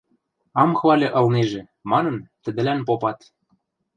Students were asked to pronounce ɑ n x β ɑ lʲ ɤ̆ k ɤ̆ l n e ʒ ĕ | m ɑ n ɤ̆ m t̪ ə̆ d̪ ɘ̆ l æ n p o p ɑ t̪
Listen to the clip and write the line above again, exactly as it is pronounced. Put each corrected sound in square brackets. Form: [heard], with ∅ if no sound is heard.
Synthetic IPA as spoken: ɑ [m] x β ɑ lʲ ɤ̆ [ʔ] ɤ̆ l n e ʒ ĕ | m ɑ n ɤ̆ [n] t̪ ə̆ d̪ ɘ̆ l æ n p o p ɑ t̪